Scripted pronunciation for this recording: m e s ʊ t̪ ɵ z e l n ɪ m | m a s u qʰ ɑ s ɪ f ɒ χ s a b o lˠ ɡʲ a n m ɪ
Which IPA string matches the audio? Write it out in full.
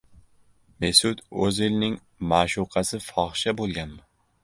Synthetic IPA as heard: m e s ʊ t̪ ɵ z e l n ɪ ŋ | m a ʃ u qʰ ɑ s ɪ f ɒ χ ʃ a b o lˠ ɡʲ a n m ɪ